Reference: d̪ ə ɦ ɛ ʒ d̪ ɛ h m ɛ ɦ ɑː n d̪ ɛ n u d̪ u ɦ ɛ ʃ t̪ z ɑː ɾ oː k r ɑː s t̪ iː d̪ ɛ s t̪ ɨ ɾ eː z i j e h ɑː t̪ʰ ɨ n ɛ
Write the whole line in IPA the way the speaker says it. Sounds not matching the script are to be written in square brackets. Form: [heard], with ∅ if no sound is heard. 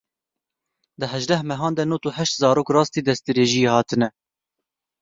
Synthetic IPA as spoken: d̪ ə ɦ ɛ ʒ d̪ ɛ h m ɛ ɦ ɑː n d̪ ɛ n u [t̪] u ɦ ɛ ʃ t̪ z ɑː ɾ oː k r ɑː s t̪ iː d̪ ɛ s t̪ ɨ ɾ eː [ʒ] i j e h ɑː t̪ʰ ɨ n ɛ